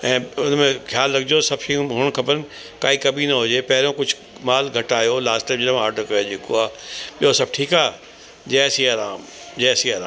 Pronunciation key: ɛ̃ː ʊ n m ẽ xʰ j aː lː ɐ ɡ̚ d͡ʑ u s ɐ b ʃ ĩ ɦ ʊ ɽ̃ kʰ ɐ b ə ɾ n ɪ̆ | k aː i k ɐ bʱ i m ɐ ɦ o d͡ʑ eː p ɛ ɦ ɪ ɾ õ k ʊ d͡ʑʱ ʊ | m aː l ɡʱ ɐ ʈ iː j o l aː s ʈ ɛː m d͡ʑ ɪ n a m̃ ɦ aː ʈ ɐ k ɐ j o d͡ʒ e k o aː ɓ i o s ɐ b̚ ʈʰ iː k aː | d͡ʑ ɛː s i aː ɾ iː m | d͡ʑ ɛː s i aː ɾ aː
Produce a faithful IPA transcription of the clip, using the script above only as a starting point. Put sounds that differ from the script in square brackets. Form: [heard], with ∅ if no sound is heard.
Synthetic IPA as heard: ɛ̃ː ʊ n m ẽ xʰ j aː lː ɐ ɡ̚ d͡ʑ [o] s ɐ b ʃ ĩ ɦ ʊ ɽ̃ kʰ ɐ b ə ɾ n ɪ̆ | k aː i k ɐ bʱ i [n] ɐ ɦ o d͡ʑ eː p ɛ ɦ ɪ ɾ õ k ʊ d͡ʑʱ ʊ | m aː l ɡʱ ɐ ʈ [aː] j o l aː s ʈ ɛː m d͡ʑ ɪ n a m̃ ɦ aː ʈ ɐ k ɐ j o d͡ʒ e k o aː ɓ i o s ɐ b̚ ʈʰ iː k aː | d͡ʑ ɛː s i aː ɾ [aː] m | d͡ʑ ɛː s i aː ɾ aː